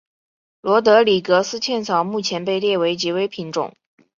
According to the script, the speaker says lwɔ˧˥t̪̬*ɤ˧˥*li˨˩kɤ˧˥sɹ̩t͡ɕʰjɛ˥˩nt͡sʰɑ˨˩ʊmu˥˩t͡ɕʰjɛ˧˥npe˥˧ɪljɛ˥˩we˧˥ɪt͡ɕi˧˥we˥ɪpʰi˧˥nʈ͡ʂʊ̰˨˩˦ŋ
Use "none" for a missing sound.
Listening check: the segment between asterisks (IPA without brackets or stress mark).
ɤ˧˥